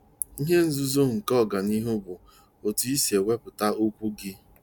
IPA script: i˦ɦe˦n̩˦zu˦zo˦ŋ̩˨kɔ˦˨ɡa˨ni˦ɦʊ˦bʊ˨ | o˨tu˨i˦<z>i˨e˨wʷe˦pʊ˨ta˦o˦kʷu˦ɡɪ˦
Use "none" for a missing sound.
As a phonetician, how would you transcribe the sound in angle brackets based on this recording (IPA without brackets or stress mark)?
s